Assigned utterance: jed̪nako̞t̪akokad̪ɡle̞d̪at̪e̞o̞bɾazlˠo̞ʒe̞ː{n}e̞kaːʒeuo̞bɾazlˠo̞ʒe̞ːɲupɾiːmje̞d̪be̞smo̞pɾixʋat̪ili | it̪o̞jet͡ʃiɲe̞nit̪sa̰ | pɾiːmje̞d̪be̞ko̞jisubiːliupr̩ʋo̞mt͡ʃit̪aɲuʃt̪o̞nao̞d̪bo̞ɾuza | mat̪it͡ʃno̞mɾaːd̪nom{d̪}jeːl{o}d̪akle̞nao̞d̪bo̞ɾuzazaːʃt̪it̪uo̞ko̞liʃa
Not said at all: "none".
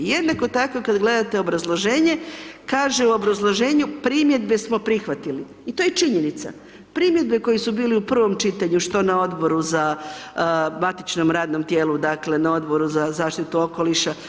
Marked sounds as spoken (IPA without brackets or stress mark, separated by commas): ɲ, t̪, u